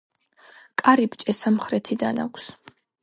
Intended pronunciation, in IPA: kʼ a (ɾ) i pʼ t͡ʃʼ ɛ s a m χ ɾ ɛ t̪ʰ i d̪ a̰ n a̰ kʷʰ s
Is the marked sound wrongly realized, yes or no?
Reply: no